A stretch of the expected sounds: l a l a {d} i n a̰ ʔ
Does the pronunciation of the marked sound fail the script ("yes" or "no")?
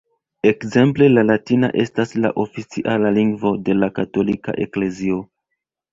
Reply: yes